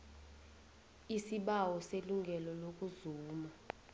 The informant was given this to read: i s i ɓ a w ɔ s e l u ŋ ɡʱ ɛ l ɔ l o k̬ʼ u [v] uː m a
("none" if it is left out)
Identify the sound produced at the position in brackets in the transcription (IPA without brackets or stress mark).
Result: z